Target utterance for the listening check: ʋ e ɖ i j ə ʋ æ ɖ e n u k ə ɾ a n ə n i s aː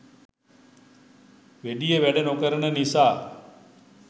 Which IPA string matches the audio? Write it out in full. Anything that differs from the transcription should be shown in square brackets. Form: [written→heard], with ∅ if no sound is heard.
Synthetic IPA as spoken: ʋ e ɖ i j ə ʋ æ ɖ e n [u→o] k ə ɾ [a→ə] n ə n i s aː

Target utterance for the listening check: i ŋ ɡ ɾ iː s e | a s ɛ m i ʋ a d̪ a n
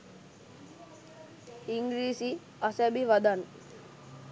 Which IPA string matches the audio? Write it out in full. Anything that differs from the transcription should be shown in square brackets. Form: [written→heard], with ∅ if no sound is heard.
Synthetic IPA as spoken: i ŋ ɡ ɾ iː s [e→i] | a s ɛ [m→b] i ʋ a d̪ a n

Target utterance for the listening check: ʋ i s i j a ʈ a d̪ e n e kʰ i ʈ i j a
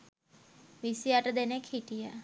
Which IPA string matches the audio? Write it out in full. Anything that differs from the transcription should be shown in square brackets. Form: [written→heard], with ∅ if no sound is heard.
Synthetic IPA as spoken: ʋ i s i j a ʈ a d̪ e n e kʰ i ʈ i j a

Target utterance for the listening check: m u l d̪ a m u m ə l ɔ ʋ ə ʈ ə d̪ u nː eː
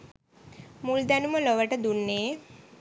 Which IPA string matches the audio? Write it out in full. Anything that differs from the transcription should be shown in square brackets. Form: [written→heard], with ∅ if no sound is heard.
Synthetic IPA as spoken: m u l d̪ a [m→n] u m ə l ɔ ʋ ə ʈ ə d̪ u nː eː

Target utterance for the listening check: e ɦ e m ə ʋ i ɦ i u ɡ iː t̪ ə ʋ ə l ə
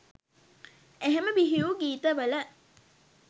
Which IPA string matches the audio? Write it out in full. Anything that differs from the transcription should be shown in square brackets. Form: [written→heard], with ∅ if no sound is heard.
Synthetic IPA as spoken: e ɦ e m ə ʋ i ɦ i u ɡ iː t̪ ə ʋ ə l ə

